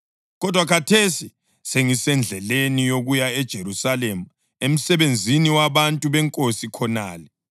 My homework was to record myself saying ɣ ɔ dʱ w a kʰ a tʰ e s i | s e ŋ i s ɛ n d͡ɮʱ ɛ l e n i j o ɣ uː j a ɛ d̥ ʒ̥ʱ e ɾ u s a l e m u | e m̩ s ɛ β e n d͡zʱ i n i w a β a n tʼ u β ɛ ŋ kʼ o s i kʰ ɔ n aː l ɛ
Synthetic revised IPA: ɣ ɔ dʱ w a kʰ a tʰ e s i | s e ŋ i s ɛ n d͡ɮʱ ɛ l e n i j o ɣ u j a ɛ d̥ ʒ̥ʱ e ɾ u s a l e m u | e m̩ s ɛ β e n d͡zʱ i n i w a β a n tʼ u β ɛ ŋ kʼ o s i kʰ ɔ n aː l ɛ

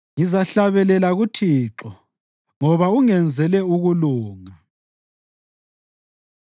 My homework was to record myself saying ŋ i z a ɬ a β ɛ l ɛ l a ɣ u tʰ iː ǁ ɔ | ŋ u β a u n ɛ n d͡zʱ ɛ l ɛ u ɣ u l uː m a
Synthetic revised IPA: ŋ i z a ɬ a β ɛ l ɛ l a ɣ u tʰ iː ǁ ɔ | ŋ ɔ β a u ŋ ɛ n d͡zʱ ɛ l ɛ u ɣ u l uː ŋ a

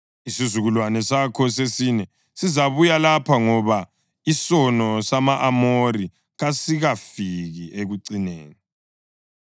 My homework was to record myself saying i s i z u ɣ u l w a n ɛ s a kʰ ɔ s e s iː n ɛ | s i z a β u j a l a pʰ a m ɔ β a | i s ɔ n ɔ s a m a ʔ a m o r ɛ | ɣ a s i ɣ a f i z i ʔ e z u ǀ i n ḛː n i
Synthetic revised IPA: i s i z u ɣ u l w a n ɛ s a kʰ ɔ s e s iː n ɛ | s i z a β u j a l a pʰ a ŋ ɔ β a | i s ɔ n ɔ s a m a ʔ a m o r i | ɣ a s i ɣ a f i ɣ i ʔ e ɣ u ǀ i n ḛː n i

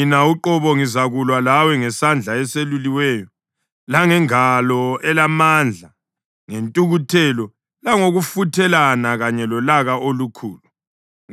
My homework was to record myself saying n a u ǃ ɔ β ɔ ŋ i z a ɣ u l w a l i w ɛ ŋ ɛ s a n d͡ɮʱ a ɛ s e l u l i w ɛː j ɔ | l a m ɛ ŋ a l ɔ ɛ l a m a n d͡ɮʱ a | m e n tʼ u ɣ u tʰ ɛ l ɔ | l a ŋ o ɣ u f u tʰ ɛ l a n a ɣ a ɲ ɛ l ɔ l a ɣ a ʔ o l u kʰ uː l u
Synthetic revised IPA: n a u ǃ ɔ β ɔ ŋ i z a ɣ u l w a l a w ɛ ŋ ɛ s a n d͡ɮʱ a ɛ s e l u l i w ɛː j ɔ | l a ŋ ɛ ŋ a l ɔ ɛ l a m a n d͡ɮʱ a | ŋ e n tʼ u ɣ u tʰ ɛ l ɔ | l a ŋ o ɣ u f u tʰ ɛ l a n a ɣ a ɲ ɛ l ɔ l a ɣ a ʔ o l u kʰ uː l u

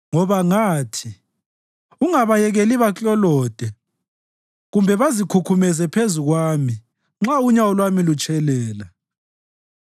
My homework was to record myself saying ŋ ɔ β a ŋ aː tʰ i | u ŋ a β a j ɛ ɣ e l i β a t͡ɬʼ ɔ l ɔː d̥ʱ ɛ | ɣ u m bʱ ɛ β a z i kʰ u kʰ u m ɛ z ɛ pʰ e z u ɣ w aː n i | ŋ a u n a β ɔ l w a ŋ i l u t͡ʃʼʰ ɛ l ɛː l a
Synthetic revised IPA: ŋ ɔ β a ŋ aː tʰ i | u ŋ a β a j ɛ ɣ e l i β a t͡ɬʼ ɔ l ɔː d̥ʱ ɛ | ɣ u m bʱ ɛ β a z i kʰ u kʰ u m ɛ z ɛ pʰ e z u ɣ w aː m i | ŋ͡ǁ a u ɲ a w ɔ l w a m i l u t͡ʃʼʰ ɛ l ɛː l a

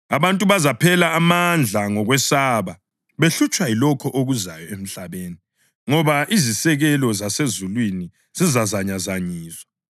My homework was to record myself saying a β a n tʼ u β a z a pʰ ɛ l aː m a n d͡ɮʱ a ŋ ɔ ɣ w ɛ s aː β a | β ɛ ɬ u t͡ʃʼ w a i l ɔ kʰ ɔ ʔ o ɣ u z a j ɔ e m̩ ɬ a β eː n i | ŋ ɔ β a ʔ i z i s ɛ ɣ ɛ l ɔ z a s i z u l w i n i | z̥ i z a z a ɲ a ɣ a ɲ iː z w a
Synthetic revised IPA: a β a n tʼ u β a z a pʰ ɛ l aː m a n d͡ɮʱ a ŋ ɔ ɣ w ɛ s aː β a | β e ɬ u t͡ʃʼ w a i l ɔ kʰ ɔ ʔ o ɣ u z a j ɔ e m̩ ɬ a β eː n i | ŋ ɔ β a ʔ i z i s ɛ ɣ ɛ l ɔ z a s e z u l w i n i | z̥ i z a z a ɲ a z a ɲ iː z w a

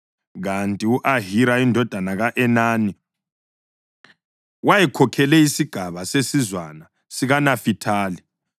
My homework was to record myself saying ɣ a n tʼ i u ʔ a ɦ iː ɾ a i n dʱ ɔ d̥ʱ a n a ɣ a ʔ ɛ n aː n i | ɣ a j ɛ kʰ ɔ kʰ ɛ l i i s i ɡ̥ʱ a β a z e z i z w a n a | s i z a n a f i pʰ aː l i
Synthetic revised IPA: ɣ a n tʼ i u ʔ a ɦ i ɾ a i n dʱ ɔ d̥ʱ a n a ɣ a ʔ ɛ n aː n i | w a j ɛ kʰ ɔ kʰ ɛ l ɛ i s i ɡ̥ʱ a β a s e s i z w a n a | s i ɣ a n a f i tʰ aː l i

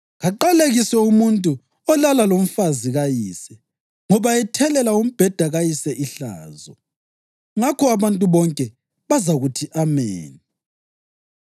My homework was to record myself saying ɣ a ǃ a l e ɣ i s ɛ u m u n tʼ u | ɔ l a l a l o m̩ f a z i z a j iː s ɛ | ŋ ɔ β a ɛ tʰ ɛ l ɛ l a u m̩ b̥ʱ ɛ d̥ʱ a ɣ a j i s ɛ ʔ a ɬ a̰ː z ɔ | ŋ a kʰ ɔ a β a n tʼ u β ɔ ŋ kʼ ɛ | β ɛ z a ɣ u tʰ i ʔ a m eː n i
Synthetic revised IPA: ɣ a ǃ a l e ɣ i s ɛ u m u n tʼ u | ɔ l a l a l o m̩ f a z i ɣ a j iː s ɛ | ŋ ɔ β a ɛ tʰ ɛ l ɛ l a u m̩ b̥ʱ ɛ d̥ʱ a ɣ a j i s ɛ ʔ i ɬ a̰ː z ɔ | ŋ a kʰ ɔ a β a n tʼ u β ɔ ŋ kʼ ɛ | β a z a ɣ u tʰ i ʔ a m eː n i

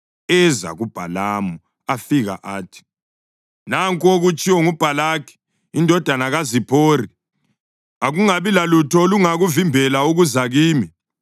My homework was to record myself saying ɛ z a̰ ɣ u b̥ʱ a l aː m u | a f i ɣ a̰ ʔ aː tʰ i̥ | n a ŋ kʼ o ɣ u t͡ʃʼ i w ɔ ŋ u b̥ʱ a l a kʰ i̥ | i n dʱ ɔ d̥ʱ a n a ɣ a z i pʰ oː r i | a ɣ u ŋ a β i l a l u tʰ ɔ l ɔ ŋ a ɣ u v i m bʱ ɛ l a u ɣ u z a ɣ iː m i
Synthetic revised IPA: ɛ z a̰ ɣ u b̥ʱ a l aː m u | a f i ɣ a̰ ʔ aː tʰ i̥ | n a ŋ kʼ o ɣ u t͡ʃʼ i w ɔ ŋ u b̥ʱ a l a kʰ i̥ | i n dʱ ɔ d̥ʱ a n a ɣ a z i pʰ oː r i | a ɣ u ŋ a β i l a l u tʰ ɔ l u ŋ a ɣ u v i m bʱ ɛ l a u ɣ u z a ɣ iː m i

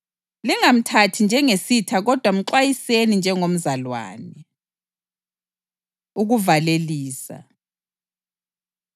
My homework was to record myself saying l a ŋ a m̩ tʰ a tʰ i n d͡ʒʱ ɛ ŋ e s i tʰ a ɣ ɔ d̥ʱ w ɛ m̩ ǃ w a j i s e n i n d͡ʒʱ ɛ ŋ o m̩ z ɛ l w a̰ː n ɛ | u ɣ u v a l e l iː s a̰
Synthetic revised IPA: l i ŋ a m̩ tʰ a tʰ i n d͡ʒʱ ɛ ŋ e s i tʰ a ɣ ɔ d̥ʱ w a m̩ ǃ w a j i s e n i n d͡ʒʱ ɛ ŋ o m̩ z a l w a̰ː n ɛ | u ɣ u v a l e l iː s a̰

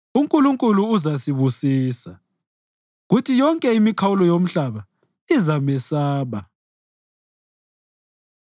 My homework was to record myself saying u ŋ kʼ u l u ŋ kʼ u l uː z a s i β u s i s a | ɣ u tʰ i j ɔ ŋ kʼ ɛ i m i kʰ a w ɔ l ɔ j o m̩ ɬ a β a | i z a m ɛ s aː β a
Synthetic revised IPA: u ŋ kʼ u l u ŋ kʼ u l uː z a s i β u s iː s a | ɣ u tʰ i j ɔ ŋ kʼ ɛ i m i kʰ a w u l ɔ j o m̩ ɬ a β a | i z a m ɛ s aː β a

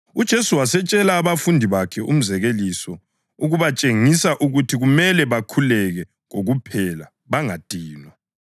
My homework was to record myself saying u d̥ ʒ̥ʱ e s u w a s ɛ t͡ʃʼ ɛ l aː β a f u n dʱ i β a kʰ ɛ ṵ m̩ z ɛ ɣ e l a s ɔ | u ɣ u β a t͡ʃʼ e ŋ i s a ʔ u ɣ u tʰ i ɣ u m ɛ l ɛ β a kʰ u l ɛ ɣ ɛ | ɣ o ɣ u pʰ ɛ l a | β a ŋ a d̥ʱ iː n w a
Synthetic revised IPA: u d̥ ʒ̥ʱ e s u w a s ɛ t͡ʃʼ ɛ l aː β a f u n dʱ i β a kʰ ɛ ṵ m̩ z ɛ ɣ e l i s ɔ | u ɣ u β a t͡ʃʼ e ŋ i s a ʔ u ɣ u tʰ i ɣ u m ɛ l ɛ β a kʰ u l ɛ ɣ ɛ | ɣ o ɣ u pʰ ɛ l a | β a ŋ a d̥ʱ iː n w a

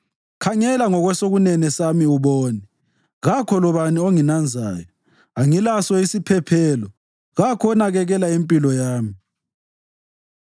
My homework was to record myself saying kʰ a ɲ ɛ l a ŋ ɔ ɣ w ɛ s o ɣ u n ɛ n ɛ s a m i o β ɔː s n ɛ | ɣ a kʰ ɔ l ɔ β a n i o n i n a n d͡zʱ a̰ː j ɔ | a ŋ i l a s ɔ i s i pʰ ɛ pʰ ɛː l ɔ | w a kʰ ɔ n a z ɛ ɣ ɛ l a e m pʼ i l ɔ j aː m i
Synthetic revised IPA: kʰ a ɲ ɛ l a ŋ ɔ ɣ w ɛ s o ɣ u n ɛ n ɛ s a m i u β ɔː n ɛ | ɣ a kʰ ɔ l ɔ β a n i o ŋ i n a n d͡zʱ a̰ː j ɔ | a ŋ i l a s ɔ i s i pʰ ɛ pʰ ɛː l ɔ | ɣ a kʰ ɔ n a ɣ ɛ ɣ ɛ l a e m pʼ i l ɔ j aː m i

